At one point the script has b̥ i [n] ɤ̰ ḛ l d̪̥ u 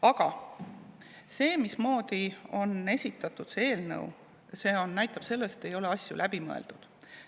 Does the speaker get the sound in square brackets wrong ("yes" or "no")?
yes